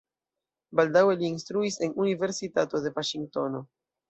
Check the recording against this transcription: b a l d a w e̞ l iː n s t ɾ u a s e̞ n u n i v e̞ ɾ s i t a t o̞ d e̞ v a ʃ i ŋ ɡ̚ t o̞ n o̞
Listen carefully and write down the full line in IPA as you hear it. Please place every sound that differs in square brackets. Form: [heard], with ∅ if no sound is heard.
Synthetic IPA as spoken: b a l d a w e̞ l iː n s t ɾ u [i] s e̞ n u n i v e̞ ɾ s i t a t o̞ d e̞ v a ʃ i ŋ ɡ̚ t o̞ n o̞